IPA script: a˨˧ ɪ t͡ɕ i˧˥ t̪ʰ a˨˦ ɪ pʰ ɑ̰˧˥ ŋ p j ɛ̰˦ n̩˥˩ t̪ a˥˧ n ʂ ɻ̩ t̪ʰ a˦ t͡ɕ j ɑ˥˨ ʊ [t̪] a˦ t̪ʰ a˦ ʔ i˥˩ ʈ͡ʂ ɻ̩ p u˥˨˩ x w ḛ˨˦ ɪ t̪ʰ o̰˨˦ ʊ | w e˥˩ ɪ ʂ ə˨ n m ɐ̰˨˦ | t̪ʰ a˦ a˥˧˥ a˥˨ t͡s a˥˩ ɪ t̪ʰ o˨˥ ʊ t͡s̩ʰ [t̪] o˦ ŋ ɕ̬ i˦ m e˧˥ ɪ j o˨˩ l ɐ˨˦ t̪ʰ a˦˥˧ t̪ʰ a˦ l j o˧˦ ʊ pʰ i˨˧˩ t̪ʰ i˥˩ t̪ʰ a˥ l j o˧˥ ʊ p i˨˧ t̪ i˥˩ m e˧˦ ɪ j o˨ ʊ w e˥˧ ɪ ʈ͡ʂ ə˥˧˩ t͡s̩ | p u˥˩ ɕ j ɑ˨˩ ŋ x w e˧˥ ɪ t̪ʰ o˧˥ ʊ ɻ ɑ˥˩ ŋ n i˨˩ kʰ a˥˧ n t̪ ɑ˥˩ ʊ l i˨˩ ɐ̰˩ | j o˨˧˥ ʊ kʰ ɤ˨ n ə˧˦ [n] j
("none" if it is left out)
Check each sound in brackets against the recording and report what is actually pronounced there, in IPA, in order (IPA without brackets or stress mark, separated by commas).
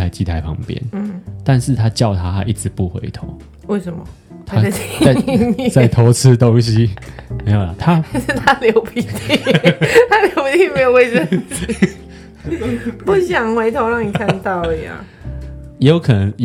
t̪ʰ, t̪, ŋ